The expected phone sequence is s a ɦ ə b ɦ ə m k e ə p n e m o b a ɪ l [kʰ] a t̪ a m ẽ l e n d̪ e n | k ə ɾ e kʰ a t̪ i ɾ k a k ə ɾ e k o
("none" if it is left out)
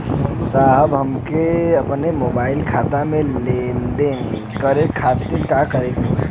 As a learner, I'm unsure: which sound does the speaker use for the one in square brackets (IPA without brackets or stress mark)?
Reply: kʰ